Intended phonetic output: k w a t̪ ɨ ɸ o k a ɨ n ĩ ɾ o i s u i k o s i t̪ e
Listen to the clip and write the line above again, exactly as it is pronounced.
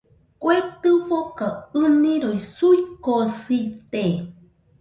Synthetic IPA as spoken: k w e t̪ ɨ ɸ o k a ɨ n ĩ ɾ o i s u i k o s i t̪ e